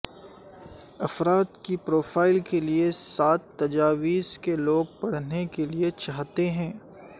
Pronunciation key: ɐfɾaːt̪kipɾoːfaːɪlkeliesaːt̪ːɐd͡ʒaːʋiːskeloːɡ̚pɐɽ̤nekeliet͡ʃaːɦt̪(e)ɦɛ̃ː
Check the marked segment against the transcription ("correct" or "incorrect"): correct